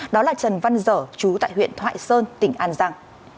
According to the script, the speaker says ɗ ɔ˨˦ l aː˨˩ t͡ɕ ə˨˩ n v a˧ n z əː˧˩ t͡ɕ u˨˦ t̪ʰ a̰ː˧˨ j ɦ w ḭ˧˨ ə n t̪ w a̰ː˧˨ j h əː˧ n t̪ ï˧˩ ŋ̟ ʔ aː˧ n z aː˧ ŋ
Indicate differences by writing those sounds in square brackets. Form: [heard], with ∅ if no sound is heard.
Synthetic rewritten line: ɗ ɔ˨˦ l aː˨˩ t͡ɕ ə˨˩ n v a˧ n z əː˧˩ t͡ɕ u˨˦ [t̪] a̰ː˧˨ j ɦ w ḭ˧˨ ə n [t̪ʰ] w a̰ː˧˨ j [s] əː˧ n t̪ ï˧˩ ŋ̟ ʔ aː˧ n z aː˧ ŋ